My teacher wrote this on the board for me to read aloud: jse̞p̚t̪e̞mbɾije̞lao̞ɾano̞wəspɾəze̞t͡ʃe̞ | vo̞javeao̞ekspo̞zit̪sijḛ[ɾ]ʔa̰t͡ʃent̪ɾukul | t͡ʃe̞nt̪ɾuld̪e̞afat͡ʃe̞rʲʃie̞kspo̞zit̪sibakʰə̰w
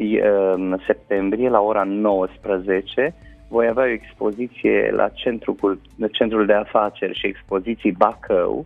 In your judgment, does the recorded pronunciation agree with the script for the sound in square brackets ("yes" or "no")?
no